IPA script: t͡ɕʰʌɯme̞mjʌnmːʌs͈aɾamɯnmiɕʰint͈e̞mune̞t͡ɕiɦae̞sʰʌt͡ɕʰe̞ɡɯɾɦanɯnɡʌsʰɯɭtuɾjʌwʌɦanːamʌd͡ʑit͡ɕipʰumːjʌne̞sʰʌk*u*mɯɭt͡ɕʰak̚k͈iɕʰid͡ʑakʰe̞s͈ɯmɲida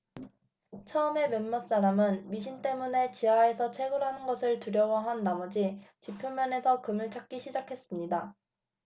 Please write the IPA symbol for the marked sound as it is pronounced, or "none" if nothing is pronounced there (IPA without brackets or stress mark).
ɯ